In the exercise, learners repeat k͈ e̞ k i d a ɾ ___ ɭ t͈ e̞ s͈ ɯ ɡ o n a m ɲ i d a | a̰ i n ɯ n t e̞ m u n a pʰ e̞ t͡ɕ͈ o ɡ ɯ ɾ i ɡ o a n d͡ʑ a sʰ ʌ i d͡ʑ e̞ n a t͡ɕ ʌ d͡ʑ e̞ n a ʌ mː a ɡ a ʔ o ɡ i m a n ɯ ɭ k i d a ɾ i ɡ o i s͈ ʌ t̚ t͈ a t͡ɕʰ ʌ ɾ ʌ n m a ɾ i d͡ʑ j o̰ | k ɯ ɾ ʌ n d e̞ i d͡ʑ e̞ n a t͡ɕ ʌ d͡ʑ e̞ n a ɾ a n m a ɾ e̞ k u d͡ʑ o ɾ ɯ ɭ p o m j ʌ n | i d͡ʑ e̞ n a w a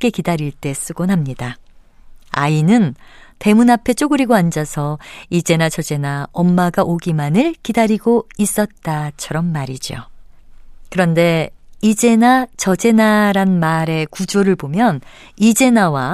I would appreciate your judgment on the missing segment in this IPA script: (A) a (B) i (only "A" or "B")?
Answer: B